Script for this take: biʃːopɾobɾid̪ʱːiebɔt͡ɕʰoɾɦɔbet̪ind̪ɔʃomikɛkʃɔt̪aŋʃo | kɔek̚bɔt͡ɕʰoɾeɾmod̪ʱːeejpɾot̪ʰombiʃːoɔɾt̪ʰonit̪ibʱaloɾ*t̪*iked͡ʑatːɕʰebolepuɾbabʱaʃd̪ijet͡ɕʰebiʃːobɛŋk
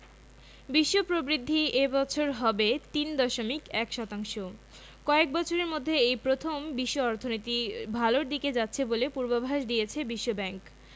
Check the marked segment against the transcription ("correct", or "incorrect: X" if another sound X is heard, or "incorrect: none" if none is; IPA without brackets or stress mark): incorrect: d̪